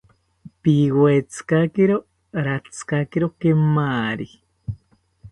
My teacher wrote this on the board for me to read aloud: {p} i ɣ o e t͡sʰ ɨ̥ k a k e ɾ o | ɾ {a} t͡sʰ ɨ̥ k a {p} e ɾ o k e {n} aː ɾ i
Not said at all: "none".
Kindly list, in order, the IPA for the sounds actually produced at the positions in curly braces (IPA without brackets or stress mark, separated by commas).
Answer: p, a, k, m